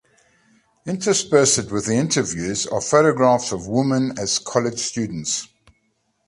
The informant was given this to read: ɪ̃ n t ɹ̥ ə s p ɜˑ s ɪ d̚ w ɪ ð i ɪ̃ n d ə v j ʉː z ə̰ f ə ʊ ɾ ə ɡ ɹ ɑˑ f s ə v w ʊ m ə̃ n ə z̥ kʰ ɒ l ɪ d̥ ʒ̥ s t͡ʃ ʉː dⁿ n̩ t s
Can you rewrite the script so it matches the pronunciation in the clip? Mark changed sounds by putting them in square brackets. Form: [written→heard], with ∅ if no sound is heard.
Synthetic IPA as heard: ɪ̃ n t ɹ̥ ə s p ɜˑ s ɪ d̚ w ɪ ð i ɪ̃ n [d→t] ə v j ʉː z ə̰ f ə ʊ ɾ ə ɡ ɹ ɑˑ f s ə v w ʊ m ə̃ n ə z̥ kʰ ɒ l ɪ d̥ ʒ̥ s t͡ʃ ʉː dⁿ n̩ t s